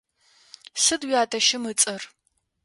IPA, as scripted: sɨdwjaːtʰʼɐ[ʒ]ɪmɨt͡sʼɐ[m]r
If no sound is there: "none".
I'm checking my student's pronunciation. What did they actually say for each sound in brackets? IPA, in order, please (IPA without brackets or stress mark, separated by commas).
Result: ʃ, none